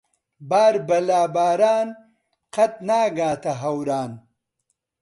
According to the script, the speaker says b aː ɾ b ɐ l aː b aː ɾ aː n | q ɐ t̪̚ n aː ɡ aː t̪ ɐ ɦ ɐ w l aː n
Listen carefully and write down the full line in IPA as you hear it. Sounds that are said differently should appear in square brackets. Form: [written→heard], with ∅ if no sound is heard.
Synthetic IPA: b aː ɾ b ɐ l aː b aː ɾ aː n | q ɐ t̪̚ n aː ɡ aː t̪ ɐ ɦ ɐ w [l→ɾ] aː n